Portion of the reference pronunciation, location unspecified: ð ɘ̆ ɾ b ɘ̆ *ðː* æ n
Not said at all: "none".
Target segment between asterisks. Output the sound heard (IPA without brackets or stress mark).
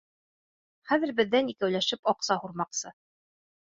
ðː